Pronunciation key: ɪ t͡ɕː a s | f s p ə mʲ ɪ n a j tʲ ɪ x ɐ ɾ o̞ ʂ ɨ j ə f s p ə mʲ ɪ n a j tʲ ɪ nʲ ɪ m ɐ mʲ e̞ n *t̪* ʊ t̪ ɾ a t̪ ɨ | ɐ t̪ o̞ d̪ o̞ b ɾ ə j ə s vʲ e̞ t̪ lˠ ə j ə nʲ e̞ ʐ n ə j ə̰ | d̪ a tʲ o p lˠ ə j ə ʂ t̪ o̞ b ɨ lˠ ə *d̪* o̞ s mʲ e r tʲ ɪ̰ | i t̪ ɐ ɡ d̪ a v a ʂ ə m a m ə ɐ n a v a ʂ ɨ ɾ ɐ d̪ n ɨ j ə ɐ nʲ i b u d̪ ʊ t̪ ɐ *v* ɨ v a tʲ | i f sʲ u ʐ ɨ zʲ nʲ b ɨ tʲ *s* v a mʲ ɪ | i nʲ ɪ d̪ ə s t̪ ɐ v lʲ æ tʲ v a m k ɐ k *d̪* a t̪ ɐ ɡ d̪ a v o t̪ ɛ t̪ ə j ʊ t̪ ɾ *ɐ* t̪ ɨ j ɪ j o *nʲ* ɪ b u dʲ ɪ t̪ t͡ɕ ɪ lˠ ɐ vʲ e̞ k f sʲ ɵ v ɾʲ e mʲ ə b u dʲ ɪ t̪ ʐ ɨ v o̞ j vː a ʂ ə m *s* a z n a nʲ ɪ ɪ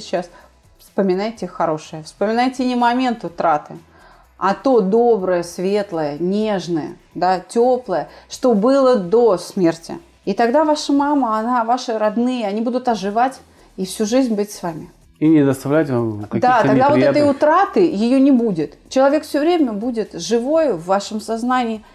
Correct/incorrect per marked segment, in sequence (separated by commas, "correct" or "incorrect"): correct, correct, incorrect, correct, correct, incorrect, correct, correct